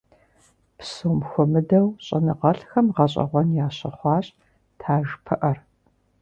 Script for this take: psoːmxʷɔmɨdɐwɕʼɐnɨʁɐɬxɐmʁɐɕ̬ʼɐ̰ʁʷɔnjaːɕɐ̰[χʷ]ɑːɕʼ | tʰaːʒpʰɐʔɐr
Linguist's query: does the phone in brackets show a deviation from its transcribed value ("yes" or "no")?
no